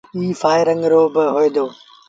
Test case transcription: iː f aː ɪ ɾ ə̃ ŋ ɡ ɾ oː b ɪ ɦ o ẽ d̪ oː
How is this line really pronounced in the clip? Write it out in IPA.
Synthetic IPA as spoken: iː f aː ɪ ɾ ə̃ ŋ ɡ ɾ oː b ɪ ɦ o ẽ d̪ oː

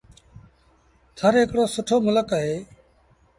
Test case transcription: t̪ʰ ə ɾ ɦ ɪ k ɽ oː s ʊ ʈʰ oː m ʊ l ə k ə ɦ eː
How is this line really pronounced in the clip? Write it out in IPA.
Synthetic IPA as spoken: t̪ʰ ə ɾ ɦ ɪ k ɽ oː s ʊ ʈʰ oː m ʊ l ə k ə ɦ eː

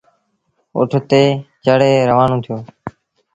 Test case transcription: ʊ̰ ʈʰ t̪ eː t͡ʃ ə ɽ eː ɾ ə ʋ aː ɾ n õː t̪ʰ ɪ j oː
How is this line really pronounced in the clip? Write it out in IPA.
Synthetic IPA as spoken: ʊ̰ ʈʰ t̪ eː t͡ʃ ə ɽ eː ɾ ə ʋ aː n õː t̪ʰ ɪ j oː

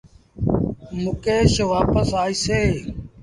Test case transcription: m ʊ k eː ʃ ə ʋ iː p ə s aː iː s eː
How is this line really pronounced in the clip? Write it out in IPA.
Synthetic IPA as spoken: m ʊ k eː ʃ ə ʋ aː p ə s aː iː s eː

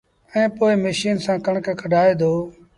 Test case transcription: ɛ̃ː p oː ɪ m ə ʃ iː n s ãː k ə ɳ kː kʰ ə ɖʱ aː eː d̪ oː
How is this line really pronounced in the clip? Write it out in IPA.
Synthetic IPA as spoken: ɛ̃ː p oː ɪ m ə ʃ iː n s ãː k ə ɳ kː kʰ ə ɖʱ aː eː d̪ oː

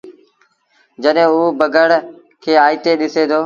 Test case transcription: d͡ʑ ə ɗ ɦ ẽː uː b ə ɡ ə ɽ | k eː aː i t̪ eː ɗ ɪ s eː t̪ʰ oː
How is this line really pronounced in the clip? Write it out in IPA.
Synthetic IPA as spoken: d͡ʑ ə ɗ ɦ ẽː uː b ə ɡ ə ɽ | kʰ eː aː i t̪ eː ɗ ɪ s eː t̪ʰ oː

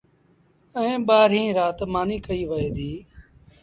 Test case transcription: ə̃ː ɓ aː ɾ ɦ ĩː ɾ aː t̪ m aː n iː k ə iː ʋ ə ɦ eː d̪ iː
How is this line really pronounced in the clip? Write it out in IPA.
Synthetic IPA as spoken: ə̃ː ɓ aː ɾ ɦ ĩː ɾ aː t̪ m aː n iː k ə iː ʋ ə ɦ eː d̪ iː

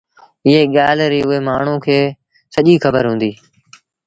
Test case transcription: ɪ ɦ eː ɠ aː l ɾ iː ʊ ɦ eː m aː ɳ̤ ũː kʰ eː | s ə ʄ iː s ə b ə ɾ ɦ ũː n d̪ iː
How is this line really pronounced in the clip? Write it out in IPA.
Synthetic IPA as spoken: ɪ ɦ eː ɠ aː l ɾ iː ʊ ɦ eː m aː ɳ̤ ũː kʰ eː | s ə ʄ iː x ə b ə ɾ ɦ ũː n d̪ iː

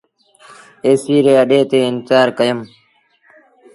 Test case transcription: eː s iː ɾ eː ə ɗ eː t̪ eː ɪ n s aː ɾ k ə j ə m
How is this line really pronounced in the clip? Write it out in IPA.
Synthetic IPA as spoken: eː s iː ɾ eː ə ɗ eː t̪ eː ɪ n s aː ɾ k ə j ə m

